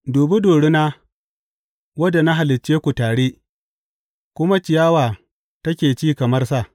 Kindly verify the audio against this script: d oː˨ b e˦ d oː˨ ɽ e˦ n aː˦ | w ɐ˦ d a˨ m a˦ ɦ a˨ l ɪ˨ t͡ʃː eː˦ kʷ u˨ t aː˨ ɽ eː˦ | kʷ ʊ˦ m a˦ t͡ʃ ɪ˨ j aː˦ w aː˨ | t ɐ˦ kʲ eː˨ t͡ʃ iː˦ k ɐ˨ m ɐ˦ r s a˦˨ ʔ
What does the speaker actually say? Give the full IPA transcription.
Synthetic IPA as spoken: d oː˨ b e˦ d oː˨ ɽ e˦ n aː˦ | w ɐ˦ d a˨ n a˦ ɦ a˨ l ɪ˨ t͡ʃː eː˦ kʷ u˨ t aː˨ ɽ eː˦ | kʷ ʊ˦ m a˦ t͡ʃ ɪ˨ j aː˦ w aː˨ | t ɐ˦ kʲ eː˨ t͡ʃ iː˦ k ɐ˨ m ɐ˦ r s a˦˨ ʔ